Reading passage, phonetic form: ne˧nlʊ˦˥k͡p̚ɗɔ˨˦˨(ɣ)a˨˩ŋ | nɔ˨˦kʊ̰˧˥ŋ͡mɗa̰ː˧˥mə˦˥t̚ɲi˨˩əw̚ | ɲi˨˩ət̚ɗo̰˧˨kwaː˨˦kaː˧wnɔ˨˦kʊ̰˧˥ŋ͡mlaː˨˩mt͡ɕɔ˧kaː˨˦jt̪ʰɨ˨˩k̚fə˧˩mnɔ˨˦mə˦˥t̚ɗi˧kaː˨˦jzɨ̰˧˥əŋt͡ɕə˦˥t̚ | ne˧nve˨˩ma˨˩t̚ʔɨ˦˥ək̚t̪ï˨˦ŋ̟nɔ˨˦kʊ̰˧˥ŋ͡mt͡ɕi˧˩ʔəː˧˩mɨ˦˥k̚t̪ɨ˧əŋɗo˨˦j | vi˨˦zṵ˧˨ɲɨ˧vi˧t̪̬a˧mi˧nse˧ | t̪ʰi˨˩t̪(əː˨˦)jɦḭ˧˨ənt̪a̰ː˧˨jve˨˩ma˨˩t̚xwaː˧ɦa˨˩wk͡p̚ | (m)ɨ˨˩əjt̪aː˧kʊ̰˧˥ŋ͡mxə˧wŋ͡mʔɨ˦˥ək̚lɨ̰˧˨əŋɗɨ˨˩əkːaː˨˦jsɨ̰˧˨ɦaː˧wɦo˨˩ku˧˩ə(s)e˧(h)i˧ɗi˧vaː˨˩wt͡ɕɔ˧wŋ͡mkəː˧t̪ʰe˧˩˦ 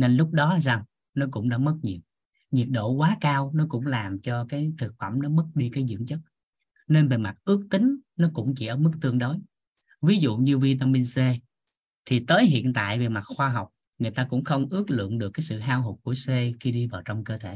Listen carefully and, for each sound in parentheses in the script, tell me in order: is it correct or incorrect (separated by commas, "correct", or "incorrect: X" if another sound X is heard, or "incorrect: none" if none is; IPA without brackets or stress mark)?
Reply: incorrect: z, correct, incorrect: ŋ, correct, incorrect: x